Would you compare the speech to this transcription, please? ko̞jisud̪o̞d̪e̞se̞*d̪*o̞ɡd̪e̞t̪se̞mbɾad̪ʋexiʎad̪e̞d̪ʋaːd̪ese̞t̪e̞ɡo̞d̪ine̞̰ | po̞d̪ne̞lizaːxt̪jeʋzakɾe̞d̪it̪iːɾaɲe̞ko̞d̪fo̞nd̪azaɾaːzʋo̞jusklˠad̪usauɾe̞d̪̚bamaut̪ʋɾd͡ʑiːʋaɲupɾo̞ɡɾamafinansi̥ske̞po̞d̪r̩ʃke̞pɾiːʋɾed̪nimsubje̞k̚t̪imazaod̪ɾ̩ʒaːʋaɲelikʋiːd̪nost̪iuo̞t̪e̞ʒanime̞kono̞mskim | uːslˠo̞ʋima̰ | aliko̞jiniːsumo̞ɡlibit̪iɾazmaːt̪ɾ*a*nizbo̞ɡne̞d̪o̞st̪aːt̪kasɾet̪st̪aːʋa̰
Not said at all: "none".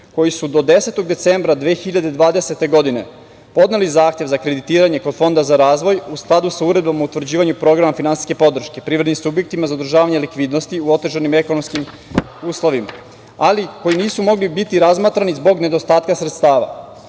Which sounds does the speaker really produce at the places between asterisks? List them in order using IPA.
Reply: t̪, a

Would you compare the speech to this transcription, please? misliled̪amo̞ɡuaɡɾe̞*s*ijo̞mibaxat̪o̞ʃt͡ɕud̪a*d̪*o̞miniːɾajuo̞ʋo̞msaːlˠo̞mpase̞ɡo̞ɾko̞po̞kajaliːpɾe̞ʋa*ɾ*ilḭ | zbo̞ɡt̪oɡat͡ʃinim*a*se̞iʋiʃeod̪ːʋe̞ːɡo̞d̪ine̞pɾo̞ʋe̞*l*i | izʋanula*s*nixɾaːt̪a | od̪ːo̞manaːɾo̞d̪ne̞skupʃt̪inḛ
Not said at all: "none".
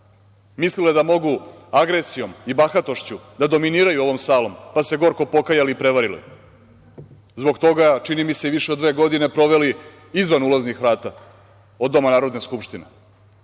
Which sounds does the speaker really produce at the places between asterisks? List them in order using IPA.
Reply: s, d̪, ɾ, i, l, z

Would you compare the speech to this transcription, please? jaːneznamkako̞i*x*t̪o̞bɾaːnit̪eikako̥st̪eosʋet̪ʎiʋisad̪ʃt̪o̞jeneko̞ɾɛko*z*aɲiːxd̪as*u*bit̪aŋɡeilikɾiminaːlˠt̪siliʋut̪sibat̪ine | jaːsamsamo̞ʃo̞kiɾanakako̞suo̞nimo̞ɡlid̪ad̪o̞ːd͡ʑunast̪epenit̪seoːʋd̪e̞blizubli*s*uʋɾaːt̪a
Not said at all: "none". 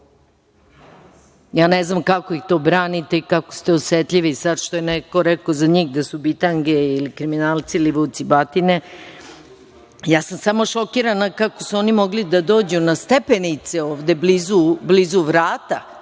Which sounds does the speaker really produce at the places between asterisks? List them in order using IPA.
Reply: x, z, u, z

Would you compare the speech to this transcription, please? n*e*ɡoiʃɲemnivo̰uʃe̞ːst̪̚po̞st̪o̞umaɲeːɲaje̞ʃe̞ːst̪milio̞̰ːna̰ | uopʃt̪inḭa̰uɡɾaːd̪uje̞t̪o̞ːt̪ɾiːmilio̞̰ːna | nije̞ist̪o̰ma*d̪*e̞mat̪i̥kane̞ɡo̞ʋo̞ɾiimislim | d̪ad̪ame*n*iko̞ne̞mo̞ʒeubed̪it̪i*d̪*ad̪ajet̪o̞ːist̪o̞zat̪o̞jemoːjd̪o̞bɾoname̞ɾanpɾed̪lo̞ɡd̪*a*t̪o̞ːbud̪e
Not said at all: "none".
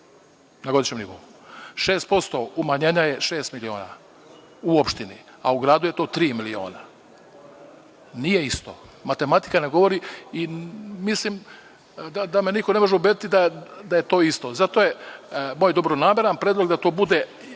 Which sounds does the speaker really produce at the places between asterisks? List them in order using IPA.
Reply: a, t̪, n, d̪, a

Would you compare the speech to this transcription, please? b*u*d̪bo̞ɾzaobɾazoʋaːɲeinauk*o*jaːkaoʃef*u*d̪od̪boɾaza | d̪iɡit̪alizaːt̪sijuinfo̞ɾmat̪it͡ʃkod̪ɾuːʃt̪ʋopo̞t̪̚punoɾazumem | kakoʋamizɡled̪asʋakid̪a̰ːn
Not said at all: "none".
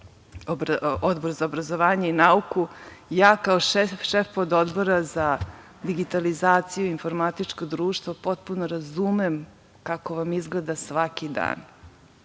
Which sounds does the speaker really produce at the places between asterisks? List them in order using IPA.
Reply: o, u, o

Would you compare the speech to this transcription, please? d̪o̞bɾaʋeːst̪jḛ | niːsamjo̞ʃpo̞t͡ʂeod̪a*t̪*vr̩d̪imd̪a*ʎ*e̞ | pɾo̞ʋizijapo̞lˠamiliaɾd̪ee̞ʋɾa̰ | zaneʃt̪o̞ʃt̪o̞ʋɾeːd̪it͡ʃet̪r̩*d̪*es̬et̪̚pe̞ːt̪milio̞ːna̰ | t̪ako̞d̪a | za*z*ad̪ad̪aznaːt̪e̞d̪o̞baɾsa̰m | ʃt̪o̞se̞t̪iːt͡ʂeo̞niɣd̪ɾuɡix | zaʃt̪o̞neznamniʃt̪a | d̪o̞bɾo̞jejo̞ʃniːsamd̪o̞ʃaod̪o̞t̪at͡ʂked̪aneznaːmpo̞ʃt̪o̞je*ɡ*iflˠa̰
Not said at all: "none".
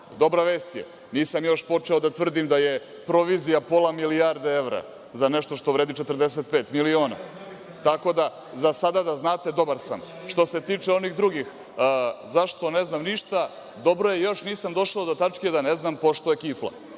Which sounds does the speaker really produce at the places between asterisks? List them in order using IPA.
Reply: t̪, j, d̪, s, k

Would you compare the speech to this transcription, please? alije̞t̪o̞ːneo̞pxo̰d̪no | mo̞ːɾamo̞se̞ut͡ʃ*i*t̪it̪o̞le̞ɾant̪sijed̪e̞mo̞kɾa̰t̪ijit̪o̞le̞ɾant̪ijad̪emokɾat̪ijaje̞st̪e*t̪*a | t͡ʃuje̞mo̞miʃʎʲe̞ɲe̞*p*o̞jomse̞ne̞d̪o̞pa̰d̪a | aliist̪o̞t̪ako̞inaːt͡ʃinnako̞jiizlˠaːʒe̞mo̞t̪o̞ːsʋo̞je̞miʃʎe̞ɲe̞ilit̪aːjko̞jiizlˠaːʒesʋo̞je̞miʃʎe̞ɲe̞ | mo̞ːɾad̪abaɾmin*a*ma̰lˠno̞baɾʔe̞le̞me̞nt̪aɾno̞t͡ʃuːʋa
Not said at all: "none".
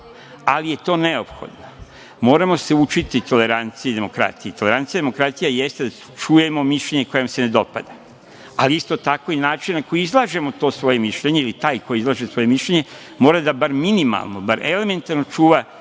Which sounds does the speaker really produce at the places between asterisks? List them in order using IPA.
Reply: i, d̪, k, i

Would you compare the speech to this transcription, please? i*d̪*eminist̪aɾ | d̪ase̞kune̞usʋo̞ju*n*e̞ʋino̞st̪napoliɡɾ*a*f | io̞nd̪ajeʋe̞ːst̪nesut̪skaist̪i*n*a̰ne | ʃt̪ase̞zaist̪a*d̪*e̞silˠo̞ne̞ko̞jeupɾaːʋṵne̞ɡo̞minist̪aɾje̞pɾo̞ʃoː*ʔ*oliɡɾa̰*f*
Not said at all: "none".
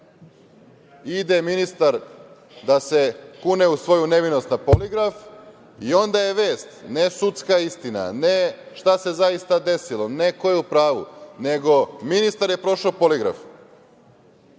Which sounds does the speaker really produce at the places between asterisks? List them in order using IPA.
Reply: d̪, n, a, n, d̪, p, f

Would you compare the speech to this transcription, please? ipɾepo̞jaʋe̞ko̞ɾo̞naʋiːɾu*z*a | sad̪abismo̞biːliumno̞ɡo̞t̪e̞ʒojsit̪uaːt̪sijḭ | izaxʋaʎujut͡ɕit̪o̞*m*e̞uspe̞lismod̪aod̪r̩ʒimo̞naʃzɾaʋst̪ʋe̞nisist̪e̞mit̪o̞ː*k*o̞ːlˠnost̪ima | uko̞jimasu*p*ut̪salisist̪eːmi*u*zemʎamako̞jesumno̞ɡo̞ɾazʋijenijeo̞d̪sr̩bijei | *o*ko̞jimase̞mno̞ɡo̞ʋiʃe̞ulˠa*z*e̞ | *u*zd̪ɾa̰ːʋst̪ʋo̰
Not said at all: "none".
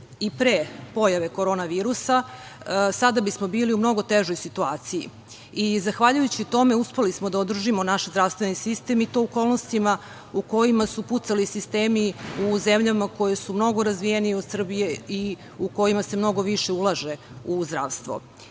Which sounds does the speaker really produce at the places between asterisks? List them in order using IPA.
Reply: s, m, k, p, u, u, ʒ, u

